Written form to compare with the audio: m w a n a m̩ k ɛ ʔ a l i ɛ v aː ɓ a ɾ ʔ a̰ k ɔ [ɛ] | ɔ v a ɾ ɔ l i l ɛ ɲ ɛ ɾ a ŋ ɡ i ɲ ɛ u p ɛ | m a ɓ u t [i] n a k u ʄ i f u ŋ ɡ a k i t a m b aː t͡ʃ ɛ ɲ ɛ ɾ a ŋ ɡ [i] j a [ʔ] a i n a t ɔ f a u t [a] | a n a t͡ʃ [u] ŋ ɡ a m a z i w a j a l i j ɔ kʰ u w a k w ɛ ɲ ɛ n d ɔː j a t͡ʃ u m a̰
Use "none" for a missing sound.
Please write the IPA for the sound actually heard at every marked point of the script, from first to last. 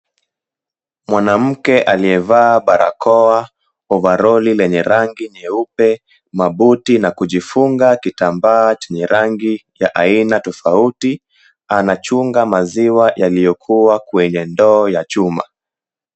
a, i, i, ʔ, i, u

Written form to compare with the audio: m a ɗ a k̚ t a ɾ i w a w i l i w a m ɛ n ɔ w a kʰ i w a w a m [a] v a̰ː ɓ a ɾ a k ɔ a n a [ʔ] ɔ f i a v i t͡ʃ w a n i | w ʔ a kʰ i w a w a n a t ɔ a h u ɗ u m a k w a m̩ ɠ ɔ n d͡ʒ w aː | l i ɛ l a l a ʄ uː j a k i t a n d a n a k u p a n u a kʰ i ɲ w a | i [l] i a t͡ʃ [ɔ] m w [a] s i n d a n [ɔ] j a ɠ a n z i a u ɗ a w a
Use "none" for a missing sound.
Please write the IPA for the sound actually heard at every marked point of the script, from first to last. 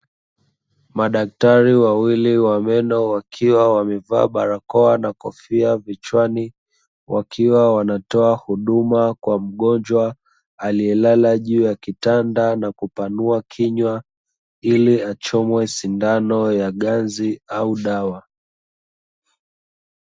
ɛ, k, l, ɔ, ɛ, ɔ

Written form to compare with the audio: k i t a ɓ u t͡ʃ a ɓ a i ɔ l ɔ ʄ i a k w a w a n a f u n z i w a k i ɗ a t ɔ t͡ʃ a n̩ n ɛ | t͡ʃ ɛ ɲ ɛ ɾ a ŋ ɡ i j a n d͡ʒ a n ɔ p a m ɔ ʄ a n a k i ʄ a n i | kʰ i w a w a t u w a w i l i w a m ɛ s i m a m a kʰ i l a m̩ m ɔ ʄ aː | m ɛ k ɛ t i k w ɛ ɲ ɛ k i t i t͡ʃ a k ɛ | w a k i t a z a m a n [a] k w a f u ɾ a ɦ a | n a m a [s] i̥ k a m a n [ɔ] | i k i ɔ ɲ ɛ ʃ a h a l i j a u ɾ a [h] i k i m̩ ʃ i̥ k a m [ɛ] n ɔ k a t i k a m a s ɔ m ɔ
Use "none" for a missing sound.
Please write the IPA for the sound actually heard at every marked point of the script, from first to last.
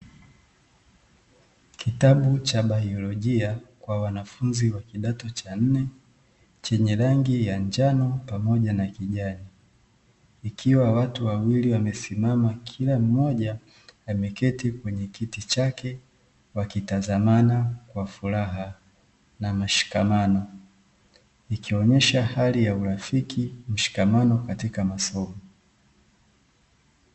a, ʃ, ɔ, f, a

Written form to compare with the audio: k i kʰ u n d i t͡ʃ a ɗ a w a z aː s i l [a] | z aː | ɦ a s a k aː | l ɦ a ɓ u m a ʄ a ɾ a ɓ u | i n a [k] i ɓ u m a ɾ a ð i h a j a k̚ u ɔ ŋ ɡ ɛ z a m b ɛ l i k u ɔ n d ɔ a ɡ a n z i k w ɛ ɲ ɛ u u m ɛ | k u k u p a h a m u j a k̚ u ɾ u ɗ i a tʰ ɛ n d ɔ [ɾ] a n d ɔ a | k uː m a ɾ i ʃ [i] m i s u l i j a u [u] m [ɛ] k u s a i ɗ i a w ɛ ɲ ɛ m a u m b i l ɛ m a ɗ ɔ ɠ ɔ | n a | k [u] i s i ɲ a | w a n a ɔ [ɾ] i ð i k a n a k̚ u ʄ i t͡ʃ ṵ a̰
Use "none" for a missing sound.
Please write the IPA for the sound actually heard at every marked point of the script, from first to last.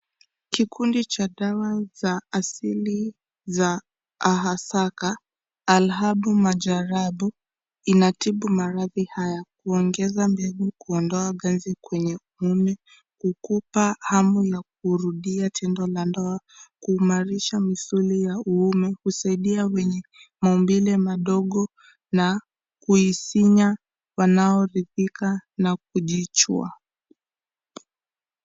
i, t, l, a, u, ɛ, u, ɾ

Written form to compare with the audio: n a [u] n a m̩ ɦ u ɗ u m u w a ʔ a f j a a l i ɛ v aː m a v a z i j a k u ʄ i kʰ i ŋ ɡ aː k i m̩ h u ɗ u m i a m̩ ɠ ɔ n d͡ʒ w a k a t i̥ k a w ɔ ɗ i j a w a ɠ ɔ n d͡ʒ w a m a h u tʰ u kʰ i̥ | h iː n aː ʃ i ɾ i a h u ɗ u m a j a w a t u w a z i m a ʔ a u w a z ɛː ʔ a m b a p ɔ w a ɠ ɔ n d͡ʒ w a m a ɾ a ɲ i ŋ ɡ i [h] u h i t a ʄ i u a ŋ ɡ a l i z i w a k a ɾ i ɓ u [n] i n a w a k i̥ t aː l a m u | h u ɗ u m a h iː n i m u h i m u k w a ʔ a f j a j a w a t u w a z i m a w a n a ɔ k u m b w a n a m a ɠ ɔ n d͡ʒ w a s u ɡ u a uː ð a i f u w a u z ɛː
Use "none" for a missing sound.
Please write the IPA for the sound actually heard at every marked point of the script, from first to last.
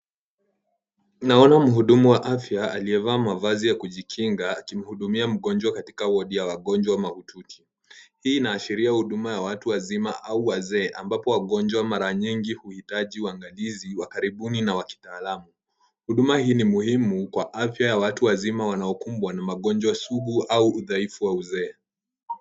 ɔ, h, n

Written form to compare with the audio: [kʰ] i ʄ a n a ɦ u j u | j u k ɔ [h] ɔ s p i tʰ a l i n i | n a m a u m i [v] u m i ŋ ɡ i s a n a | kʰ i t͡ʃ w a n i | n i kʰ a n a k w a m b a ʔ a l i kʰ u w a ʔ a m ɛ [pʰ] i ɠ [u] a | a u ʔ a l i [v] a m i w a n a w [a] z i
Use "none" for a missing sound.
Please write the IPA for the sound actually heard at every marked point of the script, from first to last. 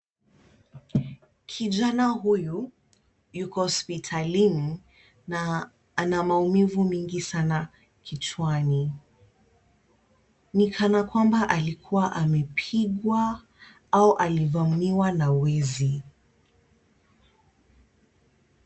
kʰ, h, v, pʰ, w, v, ɛ

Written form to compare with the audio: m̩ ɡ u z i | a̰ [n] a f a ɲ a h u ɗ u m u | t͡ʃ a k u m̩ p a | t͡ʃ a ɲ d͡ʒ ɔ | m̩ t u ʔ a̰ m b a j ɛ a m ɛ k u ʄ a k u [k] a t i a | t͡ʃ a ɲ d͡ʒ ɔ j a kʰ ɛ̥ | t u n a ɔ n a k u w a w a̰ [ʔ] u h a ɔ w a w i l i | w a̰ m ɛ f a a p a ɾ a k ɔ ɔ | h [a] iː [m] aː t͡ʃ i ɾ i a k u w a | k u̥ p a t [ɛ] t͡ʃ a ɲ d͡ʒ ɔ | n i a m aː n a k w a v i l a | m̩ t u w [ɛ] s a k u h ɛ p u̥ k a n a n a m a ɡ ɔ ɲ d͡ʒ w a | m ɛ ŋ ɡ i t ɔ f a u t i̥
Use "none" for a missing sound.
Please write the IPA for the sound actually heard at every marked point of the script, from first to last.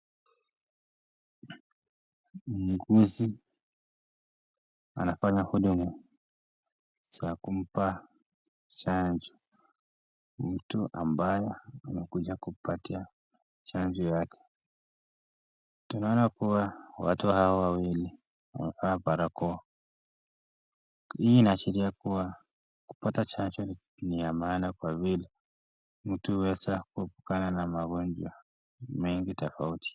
n, p, t, i, n, a, ɛ

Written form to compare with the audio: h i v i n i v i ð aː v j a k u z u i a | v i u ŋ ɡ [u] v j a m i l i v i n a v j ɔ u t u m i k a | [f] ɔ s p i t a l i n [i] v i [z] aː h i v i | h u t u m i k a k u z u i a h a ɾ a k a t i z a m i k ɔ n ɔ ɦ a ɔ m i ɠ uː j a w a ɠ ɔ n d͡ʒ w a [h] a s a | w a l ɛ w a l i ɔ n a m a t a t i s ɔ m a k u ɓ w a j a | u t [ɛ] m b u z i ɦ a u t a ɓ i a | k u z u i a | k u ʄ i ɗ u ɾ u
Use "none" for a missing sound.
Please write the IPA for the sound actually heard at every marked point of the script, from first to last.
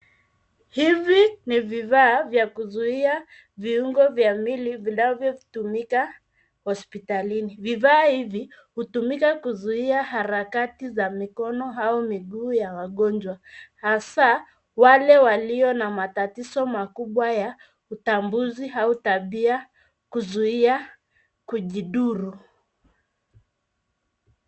ɔ, h, i, ð, h, a

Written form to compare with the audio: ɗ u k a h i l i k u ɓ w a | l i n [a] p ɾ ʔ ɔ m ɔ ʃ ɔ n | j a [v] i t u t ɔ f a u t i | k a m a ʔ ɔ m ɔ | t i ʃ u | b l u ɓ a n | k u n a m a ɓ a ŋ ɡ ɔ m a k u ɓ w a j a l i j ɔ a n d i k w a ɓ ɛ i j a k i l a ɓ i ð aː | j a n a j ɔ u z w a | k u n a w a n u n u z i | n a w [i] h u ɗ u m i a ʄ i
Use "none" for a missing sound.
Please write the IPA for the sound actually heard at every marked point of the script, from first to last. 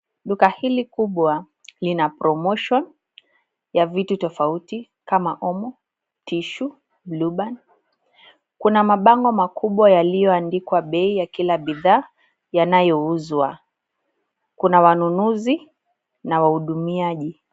a, v, a

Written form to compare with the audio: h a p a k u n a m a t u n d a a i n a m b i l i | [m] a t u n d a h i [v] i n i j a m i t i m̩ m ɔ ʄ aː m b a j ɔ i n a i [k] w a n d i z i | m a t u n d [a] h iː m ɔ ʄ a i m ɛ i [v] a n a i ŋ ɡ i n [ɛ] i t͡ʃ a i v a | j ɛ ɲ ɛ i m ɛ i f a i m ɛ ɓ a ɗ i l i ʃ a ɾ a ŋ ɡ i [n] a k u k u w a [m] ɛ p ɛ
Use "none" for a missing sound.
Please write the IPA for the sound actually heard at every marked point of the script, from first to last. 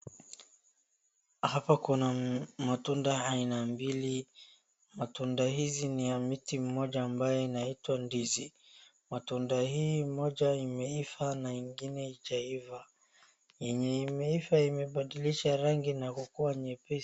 m, z, t, a, f, ɛ, n, ɲ

